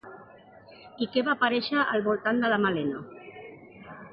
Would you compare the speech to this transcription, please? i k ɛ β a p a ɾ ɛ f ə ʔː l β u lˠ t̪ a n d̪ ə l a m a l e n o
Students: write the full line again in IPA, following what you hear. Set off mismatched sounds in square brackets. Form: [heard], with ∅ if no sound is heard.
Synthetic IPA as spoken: i k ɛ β a p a ɾ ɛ [ʃ] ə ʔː l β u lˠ t̪ a n d̪ ə l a m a l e n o